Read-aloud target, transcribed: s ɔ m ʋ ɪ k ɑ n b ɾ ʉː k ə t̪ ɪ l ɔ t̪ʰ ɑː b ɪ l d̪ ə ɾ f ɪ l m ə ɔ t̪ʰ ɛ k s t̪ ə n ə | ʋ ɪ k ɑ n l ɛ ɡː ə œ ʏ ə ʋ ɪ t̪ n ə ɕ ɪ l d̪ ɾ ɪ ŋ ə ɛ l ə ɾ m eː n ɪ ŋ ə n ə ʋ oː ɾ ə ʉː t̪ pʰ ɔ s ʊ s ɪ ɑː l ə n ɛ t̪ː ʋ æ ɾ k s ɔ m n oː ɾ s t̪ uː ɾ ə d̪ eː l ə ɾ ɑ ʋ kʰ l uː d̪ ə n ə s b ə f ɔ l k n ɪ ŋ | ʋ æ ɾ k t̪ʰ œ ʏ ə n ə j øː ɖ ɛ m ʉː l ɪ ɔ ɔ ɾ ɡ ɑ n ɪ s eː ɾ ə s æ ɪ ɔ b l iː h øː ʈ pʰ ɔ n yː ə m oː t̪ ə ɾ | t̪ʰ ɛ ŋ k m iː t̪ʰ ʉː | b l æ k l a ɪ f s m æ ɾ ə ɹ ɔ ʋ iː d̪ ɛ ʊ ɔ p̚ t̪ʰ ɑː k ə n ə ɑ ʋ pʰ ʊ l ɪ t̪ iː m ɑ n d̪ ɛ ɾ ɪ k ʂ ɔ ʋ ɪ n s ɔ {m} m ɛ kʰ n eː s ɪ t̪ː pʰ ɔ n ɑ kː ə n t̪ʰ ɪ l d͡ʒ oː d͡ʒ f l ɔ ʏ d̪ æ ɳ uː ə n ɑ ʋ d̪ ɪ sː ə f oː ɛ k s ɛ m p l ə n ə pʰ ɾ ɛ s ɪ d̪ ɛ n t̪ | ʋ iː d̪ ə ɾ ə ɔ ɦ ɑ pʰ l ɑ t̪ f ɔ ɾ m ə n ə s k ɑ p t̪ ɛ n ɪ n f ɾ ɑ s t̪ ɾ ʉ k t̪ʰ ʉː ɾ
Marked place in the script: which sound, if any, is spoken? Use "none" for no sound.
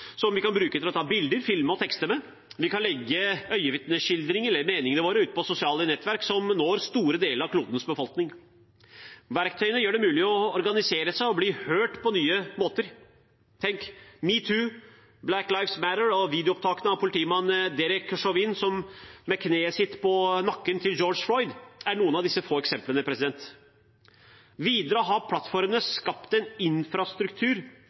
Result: m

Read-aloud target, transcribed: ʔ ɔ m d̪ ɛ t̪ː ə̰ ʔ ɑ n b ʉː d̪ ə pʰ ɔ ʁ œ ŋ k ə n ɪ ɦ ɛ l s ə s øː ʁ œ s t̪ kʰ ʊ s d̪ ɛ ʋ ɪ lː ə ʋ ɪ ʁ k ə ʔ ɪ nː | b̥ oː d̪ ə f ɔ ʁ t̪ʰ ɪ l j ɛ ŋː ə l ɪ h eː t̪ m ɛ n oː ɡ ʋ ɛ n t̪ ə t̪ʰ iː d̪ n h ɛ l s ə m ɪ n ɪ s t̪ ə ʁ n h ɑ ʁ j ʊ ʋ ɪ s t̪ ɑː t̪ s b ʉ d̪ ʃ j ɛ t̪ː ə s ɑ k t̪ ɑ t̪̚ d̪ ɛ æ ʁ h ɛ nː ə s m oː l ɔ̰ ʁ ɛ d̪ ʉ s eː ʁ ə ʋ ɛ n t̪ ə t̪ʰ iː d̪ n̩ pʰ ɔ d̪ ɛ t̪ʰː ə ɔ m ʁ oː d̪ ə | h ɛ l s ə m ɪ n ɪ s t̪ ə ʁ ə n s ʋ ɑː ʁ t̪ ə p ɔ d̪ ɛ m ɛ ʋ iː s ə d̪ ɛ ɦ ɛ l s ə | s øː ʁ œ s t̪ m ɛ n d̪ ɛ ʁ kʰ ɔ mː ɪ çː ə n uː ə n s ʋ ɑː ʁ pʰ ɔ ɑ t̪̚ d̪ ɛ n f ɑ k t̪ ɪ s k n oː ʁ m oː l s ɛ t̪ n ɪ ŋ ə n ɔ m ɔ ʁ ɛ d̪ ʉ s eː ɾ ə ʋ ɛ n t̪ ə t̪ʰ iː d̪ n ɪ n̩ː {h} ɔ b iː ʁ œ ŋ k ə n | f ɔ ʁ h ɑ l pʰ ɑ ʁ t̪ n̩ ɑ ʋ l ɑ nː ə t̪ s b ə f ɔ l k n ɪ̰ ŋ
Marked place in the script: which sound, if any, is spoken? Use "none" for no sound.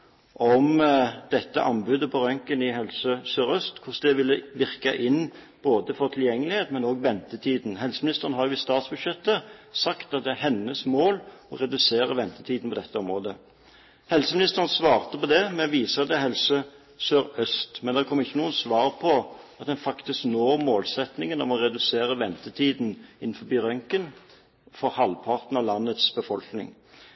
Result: f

